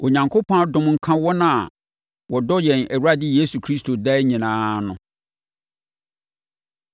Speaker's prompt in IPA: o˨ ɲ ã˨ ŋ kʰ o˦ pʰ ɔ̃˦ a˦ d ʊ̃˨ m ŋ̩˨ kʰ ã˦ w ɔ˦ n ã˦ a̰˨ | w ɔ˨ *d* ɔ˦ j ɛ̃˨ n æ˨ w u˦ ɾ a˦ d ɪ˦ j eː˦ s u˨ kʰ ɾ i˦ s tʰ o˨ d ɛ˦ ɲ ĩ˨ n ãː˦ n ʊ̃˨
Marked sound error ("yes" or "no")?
no